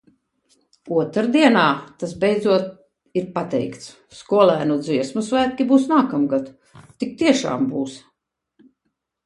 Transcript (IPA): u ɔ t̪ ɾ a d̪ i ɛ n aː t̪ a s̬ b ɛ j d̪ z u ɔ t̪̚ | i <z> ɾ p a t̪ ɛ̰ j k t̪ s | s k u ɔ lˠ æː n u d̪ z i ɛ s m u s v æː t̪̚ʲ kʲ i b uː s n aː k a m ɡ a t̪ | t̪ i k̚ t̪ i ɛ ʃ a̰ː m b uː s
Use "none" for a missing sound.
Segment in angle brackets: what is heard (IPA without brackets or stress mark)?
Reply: none